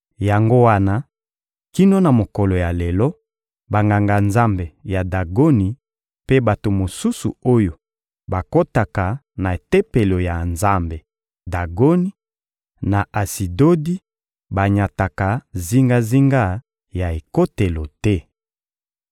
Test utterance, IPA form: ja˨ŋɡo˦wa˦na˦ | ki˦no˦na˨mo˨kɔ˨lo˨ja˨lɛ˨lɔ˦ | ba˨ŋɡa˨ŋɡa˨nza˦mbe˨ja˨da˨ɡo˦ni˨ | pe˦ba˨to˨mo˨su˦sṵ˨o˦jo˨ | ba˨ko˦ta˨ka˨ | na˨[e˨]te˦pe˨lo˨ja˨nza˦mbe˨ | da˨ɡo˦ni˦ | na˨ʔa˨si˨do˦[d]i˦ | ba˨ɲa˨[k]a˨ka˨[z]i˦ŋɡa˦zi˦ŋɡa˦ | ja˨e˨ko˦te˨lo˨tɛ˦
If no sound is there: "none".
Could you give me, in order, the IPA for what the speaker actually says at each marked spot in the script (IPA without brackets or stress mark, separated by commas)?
e˨, d, t, z